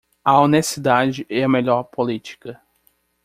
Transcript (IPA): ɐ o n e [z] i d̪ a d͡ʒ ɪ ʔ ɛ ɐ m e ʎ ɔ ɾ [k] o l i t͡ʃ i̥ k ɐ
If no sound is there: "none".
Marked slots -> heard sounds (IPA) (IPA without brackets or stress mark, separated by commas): s, p